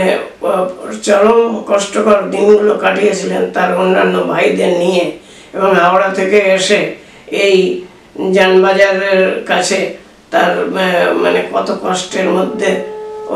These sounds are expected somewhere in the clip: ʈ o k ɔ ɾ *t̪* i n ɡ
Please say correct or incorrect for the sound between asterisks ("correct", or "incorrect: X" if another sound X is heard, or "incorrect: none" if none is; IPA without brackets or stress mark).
incorrect: d̪